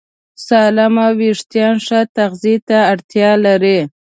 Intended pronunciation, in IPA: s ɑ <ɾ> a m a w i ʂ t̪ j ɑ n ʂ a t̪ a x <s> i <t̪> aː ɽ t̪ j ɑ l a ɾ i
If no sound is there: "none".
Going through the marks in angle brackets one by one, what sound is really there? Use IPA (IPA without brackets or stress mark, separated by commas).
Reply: l, z, t̪